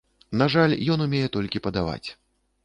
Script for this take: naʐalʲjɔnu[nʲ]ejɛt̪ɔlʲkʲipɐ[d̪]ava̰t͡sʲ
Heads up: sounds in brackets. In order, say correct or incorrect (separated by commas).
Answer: incorrect, correct